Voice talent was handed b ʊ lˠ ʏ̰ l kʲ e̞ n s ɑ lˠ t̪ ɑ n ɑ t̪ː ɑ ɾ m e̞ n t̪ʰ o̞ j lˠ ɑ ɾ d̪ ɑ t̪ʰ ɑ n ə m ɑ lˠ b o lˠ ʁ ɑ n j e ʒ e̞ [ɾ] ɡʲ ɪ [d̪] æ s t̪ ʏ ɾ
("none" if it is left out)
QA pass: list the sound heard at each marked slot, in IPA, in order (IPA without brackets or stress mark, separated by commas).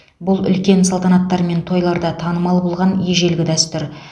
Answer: l, d̪